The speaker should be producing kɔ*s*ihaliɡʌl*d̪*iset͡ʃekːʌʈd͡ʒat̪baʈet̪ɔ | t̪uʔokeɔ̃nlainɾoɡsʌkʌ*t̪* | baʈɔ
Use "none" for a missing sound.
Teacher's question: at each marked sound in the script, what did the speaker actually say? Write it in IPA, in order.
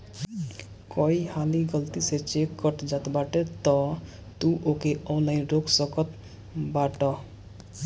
none, t̪, t̪

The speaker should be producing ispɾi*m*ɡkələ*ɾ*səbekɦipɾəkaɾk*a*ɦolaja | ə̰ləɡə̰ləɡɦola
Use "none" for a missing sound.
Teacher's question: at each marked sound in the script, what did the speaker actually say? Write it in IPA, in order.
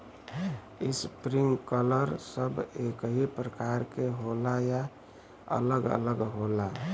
ŋ, ɾ, e

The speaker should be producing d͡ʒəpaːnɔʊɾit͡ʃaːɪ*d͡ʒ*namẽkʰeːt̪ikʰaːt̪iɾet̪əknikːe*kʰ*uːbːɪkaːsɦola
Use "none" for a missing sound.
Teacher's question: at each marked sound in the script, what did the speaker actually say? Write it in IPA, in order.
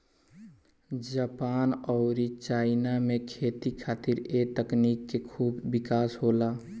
none, kʰ

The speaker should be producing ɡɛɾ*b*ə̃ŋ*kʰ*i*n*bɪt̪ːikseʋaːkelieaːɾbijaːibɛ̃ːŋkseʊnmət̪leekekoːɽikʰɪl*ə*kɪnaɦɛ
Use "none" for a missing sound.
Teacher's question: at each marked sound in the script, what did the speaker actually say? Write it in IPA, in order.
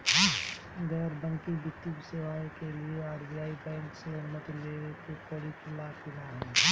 b, k, none, a

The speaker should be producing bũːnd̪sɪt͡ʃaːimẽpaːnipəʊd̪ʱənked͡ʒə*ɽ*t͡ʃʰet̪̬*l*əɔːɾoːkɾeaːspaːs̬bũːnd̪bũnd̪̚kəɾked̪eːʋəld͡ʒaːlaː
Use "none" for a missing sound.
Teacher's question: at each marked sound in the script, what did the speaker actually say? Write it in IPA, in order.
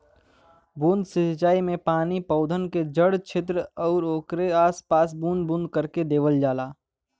ɽ, ɾ

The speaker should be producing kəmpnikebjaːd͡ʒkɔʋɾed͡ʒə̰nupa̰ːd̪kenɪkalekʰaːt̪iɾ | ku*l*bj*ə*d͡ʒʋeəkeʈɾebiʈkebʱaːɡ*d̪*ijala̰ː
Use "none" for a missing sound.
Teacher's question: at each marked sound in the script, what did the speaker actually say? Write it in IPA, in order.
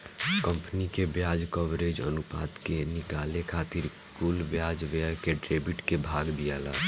l, a, d̪

